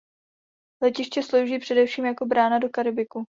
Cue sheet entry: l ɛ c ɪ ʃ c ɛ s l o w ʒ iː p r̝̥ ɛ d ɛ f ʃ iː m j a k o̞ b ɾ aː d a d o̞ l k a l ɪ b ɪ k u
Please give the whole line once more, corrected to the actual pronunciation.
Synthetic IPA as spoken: l ɛ c ɪ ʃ c ɛ s l o w ʒ iː p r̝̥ ɛ d ɛ f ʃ iː m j a k o̞ b ɾ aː n a d o̞ k a ɾ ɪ b ɪ k u